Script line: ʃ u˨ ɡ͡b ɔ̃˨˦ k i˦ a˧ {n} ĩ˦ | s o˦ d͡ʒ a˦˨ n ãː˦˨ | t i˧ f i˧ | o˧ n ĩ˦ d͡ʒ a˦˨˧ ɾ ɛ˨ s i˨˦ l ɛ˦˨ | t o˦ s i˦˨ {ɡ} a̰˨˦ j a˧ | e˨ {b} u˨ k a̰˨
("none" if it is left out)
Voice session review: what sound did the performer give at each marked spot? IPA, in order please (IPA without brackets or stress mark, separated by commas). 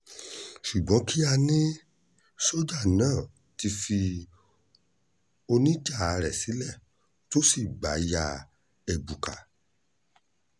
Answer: n, ɡ͡b, b